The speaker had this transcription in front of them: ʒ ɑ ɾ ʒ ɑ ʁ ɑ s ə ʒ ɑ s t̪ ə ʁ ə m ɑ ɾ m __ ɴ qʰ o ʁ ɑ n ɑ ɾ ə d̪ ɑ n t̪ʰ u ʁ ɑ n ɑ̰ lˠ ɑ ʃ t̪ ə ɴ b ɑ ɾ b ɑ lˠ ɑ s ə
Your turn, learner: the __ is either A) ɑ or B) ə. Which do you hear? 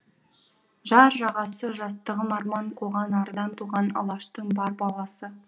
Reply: A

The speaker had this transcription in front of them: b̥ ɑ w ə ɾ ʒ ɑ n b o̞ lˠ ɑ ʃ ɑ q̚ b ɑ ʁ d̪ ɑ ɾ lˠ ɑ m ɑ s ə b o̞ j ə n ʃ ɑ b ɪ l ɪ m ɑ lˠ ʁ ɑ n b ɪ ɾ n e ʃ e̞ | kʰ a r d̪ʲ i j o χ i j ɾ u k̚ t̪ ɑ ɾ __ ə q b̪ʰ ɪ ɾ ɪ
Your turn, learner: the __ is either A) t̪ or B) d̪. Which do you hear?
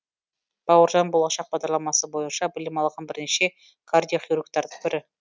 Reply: B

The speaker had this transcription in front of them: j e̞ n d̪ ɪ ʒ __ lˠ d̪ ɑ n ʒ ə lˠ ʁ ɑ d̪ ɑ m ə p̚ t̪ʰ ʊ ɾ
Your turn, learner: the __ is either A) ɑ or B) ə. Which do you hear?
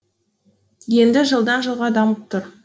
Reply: B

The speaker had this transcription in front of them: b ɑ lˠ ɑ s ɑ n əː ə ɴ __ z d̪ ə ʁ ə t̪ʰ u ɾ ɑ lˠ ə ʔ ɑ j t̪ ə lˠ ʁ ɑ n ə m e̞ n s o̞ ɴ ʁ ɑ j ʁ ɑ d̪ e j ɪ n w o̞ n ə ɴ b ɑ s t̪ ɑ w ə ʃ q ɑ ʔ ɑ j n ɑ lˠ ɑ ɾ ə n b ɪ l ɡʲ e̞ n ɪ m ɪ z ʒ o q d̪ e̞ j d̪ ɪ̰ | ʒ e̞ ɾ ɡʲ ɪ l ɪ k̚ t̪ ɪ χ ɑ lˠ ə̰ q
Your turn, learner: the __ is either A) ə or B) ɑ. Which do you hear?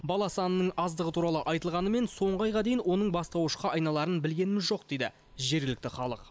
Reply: B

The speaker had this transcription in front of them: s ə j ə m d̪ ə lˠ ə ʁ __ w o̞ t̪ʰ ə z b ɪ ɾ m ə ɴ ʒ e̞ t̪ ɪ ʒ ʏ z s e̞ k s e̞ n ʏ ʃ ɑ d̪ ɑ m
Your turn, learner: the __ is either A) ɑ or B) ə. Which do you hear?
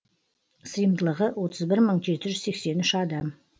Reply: B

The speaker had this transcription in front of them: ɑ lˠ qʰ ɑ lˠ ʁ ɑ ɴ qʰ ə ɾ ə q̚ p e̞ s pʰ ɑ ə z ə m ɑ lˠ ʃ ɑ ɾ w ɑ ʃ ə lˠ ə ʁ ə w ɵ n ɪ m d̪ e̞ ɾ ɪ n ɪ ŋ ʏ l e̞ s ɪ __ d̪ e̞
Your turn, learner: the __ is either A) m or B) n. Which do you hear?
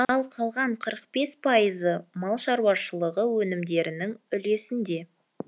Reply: B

